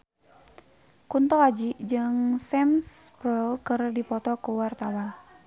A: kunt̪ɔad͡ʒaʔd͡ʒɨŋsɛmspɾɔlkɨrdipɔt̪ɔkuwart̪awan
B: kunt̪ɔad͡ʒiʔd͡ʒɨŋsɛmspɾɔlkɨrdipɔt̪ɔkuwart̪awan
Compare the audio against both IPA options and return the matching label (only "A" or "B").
B